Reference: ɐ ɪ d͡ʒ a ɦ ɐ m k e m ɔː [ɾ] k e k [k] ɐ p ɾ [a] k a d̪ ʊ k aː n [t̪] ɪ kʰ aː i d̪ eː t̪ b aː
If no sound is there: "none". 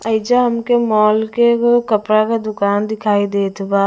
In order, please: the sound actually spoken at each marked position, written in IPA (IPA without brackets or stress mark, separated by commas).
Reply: l, k, a, d̪